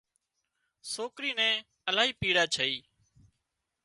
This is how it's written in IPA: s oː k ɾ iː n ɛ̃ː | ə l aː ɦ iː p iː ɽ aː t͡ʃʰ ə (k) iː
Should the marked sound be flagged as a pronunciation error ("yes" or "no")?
yes